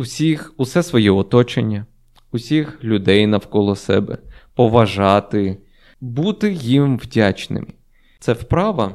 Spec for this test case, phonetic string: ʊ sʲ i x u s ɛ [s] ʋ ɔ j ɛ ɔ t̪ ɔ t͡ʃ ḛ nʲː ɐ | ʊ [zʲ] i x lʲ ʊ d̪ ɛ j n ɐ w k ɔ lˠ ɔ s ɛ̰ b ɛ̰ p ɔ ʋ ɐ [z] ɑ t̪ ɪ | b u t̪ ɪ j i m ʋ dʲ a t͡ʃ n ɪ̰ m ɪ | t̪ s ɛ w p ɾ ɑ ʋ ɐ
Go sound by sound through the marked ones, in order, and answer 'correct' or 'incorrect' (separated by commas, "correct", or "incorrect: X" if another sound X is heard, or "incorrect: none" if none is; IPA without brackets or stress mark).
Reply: correct, incorrect: sʲ, incorrect: ʒ